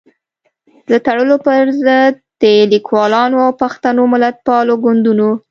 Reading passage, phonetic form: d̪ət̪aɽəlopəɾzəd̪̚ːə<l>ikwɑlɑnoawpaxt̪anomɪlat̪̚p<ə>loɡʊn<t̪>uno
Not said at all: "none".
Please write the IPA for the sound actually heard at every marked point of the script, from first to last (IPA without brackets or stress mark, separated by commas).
l, ɑ, d̪